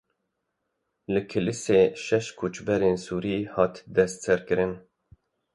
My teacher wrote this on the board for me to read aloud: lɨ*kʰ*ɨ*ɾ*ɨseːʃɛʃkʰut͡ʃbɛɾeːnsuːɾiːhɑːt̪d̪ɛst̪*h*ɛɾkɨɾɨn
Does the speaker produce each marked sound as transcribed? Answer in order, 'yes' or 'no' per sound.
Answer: yes, no, no

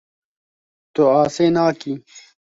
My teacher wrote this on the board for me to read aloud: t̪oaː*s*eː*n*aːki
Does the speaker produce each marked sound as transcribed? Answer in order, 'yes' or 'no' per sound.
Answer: yes, yes

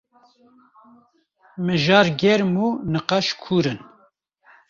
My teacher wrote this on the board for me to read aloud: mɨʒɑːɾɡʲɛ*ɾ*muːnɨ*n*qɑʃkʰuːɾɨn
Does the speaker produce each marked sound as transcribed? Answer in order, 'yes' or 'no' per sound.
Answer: yes, no

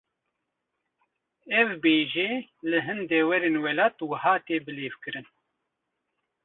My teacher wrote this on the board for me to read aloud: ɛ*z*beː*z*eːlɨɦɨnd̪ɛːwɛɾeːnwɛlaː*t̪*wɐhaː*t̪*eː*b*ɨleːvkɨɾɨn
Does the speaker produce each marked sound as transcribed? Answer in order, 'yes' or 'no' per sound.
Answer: no, no, yes, yes, yes

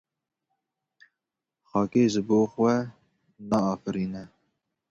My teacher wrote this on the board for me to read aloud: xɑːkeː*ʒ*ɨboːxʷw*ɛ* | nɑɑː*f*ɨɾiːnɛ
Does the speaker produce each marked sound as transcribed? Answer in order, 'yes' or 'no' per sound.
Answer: yes, yes, yes

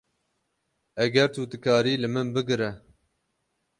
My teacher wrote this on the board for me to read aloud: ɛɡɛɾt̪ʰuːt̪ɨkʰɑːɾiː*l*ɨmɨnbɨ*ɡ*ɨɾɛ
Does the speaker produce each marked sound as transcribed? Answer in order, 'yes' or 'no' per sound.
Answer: yes, yes

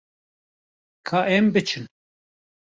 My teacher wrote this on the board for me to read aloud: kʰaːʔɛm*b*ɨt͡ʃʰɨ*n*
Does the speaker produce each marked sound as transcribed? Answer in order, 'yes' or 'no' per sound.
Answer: yes, yes

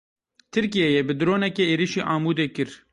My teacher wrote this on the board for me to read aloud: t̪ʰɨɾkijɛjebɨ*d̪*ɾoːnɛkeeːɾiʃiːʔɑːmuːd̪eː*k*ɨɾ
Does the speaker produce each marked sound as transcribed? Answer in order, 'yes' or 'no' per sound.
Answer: yes, yes

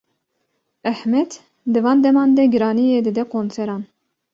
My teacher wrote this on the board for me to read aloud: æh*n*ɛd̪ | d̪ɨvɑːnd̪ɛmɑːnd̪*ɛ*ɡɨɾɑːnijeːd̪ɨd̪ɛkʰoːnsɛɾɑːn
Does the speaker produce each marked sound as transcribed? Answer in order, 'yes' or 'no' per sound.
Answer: no, yes

